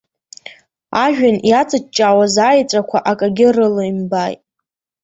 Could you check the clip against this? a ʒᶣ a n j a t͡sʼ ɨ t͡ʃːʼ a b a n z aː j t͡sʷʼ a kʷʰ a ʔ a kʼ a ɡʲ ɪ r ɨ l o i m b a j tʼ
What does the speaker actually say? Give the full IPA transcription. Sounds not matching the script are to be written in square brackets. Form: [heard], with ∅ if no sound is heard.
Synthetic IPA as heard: a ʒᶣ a n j a t͡sʼ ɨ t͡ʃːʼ a [w] a [∅] z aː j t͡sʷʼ a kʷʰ a ʔ a kʼ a ɡʲ ɪ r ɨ l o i m b a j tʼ